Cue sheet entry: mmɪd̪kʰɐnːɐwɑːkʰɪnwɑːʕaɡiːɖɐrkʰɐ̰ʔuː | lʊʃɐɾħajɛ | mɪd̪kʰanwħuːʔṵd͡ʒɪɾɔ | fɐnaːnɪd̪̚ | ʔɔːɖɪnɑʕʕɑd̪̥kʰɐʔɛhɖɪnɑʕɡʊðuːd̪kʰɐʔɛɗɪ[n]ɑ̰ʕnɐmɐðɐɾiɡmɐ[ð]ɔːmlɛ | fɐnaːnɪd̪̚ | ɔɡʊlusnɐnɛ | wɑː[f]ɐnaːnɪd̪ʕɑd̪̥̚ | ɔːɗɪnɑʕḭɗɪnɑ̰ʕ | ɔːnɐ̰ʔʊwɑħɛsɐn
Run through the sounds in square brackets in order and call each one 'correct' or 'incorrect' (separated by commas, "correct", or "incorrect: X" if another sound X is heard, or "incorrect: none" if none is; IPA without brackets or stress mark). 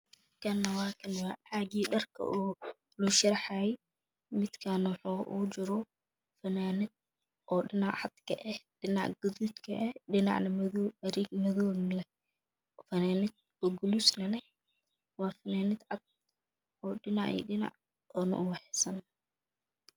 correct, correct, correct